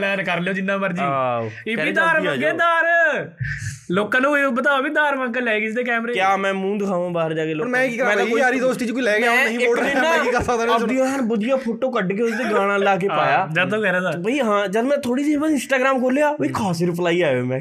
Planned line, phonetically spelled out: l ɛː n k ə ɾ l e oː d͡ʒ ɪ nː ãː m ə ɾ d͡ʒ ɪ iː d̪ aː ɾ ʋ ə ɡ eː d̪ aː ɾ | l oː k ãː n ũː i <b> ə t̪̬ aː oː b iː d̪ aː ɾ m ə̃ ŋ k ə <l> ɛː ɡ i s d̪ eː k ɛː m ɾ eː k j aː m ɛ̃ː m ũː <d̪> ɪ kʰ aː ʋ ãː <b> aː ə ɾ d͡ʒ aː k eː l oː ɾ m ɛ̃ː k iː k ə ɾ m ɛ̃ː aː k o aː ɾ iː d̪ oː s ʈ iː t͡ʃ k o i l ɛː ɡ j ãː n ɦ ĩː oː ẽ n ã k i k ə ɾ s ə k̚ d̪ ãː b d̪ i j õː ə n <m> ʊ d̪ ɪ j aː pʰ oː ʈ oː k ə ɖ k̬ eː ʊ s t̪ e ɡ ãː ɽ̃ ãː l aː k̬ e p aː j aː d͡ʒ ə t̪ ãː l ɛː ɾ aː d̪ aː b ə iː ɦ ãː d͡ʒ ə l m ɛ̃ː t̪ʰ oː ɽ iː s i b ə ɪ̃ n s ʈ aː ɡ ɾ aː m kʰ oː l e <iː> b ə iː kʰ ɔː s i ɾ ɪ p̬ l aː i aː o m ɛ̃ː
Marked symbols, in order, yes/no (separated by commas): yes, yes, yes, yes, no, no